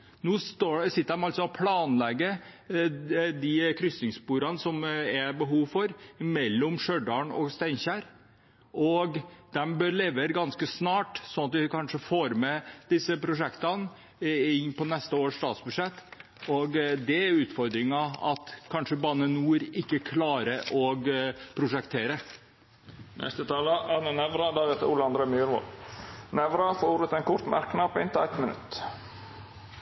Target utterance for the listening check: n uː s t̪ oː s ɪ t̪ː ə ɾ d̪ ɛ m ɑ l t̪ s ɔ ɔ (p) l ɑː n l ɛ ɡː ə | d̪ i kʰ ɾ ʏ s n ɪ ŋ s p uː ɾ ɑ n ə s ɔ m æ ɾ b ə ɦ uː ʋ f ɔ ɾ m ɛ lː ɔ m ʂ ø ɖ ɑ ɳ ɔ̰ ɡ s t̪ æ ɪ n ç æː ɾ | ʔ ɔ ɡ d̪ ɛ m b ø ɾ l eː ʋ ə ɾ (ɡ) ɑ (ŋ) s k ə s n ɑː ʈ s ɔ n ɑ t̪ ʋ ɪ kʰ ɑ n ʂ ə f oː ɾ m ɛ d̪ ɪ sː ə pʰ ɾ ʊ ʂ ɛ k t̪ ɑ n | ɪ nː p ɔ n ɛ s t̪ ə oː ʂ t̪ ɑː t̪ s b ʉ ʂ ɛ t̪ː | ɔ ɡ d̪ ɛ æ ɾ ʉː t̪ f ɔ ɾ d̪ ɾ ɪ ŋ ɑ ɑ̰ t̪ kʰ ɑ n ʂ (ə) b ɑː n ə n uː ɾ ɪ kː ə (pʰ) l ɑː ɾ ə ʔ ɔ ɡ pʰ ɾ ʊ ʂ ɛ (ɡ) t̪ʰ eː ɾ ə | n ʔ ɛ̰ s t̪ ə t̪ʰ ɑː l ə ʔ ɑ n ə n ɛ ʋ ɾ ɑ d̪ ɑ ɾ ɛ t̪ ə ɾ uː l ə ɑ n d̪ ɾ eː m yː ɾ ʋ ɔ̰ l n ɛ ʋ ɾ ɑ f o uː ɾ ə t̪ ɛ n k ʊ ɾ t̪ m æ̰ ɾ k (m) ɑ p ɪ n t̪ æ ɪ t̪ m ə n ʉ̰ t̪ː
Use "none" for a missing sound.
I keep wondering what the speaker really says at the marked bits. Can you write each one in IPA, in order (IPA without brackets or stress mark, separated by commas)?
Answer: pʰ, ɡ, n, ə, kʰ, k, n